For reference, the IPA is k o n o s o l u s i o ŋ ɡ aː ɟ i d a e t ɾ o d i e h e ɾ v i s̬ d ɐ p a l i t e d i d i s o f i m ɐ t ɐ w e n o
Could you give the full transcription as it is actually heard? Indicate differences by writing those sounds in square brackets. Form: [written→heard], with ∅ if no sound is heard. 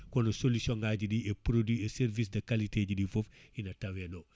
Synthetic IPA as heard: k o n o s o l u s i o ŋ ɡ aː ɟ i d [a→i] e [t→p] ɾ o d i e [h→s] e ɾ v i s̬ d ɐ [p→k] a l i t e [d→ɟ] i d i [s→f] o f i [m→n] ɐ t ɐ w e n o